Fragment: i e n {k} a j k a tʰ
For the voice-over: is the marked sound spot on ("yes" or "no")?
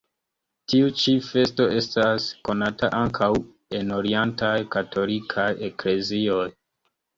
no